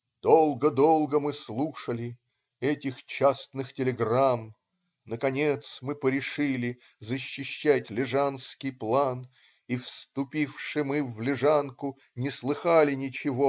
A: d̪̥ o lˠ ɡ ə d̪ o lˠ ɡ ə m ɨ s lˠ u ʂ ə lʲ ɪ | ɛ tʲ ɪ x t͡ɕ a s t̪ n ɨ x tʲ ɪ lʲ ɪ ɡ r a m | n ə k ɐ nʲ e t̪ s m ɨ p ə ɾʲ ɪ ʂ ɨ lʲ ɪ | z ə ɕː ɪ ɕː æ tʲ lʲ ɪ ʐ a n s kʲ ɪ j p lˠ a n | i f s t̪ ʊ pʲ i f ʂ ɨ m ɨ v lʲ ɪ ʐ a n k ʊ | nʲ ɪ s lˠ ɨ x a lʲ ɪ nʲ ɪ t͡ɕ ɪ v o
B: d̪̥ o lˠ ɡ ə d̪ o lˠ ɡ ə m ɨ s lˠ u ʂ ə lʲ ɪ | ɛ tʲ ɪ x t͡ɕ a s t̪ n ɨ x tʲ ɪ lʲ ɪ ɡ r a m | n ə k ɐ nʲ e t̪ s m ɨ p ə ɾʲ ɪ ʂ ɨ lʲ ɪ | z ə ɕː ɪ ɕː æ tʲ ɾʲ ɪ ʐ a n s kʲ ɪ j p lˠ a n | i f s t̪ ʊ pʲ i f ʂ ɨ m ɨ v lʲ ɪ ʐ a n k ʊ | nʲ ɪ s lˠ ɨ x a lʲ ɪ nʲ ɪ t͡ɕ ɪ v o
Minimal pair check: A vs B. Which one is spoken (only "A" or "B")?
A